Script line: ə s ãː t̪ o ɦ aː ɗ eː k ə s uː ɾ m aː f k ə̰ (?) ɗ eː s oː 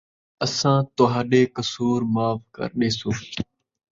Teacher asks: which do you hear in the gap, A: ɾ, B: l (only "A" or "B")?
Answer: A